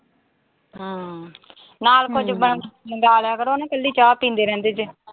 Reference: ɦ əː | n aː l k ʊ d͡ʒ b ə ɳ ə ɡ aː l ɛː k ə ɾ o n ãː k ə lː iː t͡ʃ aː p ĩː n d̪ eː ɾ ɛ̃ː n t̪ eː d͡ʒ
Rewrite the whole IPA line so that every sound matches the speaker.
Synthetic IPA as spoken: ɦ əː | n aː l k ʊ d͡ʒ b ə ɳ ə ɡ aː l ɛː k ə ɾ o n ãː k ə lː iː t͡ʃ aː p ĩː n d̪ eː ɾ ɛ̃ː n d̪ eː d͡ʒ

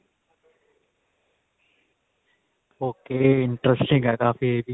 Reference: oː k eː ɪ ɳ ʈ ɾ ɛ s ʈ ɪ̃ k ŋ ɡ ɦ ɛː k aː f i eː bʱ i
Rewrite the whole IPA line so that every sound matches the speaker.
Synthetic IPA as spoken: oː k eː ɪ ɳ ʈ ɾ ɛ s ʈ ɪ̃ ŋ ɡ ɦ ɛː k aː f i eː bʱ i

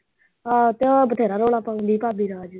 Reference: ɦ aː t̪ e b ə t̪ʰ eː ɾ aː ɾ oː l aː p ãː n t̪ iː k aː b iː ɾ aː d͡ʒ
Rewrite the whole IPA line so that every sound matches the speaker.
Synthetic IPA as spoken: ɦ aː t̪ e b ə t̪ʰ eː ɾ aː ɾ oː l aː p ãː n d̪ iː p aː b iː ɾ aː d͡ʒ

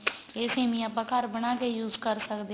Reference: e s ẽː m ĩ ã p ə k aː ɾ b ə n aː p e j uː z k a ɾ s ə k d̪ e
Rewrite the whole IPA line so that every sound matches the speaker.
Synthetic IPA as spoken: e s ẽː m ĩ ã p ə k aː ɾ b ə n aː k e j uː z k ə ɾ s ə k d̪ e

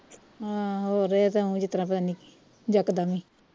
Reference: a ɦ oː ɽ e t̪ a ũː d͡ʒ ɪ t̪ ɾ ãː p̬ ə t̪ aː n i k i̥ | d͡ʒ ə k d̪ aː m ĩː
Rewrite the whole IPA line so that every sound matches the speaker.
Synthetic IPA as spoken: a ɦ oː ɾ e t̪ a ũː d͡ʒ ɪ t̪ ɾ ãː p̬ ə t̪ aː n i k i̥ | d͡ʒ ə k d̪ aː m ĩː

